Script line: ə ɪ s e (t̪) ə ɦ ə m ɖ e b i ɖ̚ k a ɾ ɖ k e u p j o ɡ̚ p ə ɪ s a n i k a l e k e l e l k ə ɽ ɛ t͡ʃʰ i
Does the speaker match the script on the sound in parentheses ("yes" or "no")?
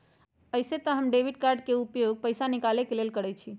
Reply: yes